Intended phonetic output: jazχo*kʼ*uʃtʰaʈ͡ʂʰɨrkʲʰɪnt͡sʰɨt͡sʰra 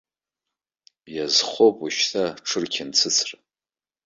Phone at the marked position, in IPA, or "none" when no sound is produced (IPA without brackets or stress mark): pʼ